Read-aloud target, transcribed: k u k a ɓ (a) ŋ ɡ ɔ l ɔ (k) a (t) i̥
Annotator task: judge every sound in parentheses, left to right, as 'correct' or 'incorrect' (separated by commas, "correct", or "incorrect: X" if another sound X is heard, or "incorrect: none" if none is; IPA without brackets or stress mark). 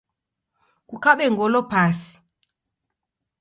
incorrect: ɛ, incorrect: p, incorrect: s